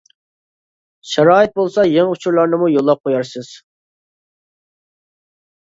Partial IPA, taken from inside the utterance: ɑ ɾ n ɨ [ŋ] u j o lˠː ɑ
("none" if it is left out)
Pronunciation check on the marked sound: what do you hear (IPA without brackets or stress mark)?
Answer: m